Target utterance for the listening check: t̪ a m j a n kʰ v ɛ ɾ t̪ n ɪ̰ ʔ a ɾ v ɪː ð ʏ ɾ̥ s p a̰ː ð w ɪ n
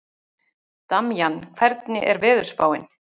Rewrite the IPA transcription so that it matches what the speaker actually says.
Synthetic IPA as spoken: t̪ a m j a n kʰ v ɛ ɾ t̪ n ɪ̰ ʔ ɛ ɾ v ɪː ð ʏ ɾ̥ s p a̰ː w ɪ n

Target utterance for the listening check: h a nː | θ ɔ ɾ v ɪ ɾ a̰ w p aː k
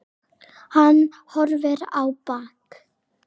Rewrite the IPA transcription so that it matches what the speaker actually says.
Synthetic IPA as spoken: h a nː | h ɔ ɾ v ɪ ɾ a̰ w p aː k

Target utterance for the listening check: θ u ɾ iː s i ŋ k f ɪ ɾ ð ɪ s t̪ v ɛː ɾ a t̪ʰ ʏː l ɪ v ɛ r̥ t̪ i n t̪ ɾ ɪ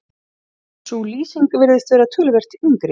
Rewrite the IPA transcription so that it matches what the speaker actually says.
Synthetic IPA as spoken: s u l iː s i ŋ k v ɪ ɾ ð ɪ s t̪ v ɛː ɾ a t̪ʰ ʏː l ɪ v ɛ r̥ t̪ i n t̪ ɾ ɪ

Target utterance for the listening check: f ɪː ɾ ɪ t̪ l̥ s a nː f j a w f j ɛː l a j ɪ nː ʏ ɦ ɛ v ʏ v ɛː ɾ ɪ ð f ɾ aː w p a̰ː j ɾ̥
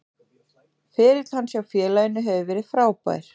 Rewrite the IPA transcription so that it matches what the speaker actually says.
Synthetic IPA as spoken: f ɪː ɾ ɪ t̪ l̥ h a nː s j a w f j ɛː l a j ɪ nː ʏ ɦ ɛ v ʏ v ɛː ɾ ɪ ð f ɾ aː w p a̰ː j ɾ̥

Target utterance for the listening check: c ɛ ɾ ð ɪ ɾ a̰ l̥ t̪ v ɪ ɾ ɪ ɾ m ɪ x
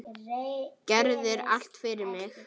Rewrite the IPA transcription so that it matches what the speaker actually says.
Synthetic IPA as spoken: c ɛ ɾ ð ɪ ɾ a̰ l̥ t̪ f ɪ ɾ ɪ ɾ m ɪ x

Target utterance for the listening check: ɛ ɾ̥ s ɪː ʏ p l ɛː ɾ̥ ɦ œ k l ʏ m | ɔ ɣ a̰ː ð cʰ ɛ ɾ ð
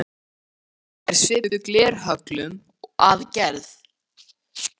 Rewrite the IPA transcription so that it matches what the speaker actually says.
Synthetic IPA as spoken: ɛ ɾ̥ s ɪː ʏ k l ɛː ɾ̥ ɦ œ k l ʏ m | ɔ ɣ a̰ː ð c ɛ ɾ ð

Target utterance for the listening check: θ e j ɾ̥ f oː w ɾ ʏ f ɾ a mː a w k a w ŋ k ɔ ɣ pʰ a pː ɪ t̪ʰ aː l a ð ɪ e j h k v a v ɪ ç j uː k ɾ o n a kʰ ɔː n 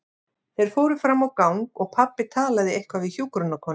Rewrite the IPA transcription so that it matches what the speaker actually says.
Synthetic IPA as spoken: θ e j ɾ̥ f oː w ɾ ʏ f ɾ a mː a w k a w ŋ k ɔ ɣ pʰ a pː ɪ t̪ʰ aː l a ð ɪ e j h k v a v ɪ ç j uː k ɾ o n a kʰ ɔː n

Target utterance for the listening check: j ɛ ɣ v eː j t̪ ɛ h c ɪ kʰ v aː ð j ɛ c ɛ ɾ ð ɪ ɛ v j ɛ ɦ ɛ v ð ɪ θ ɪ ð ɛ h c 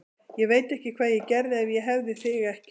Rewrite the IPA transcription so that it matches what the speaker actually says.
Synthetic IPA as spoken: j ɛ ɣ v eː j t̪ ɛ h c ɪ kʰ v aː ð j ɛ c ɛ ɾ ð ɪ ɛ v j ɛ ɦ ɛ v ð ɪ θ ɪ ɣ ɛ h c

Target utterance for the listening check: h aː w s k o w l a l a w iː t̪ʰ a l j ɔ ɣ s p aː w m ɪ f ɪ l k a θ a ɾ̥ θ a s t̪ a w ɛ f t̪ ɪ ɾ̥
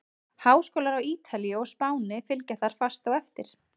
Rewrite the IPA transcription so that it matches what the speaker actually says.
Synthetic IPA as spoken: h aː w s k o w l a ɾ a w iː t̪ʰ a l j ɔ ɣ s p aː w n ɪ f ɪ l c a θ a ɾ̥ f a s t̪ a w ɛ f t̪ ɪ ɾ̥

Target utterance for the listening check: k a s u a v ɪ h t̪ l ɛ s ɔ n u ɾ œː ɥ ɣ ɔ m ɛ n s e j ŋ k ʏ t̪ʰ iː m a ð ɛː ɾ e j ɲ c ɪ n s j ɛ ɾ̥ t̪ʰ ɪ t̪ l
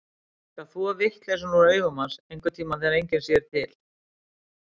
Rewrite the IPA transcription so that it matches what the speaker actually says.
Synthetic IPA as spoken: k a θ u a v ɪ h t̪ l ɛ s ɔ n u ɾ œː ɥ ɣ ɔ m a n s e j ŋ k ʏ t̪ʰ iː m a θ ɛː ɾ e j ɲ c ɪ n s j ɛ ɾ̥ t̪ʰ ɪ l

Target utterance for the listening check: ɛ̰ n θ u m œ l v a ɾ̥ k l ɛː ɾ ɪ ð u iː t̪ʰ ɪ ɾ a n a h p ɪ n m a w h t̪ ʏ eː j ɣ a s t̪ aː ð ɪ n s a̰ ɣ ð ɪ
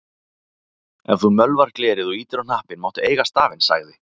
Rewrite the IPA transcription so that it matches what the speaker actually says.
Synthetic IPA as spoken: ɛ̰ n θ u m œ l v a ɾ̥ k l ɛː ɾ ɪ ð ɔ iː t̪ ɪ ɾ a n a h p ɪ n m a w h t̪ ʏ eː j ɣ a s t̪ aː v ɪ n s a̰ ɣ ð ɪ

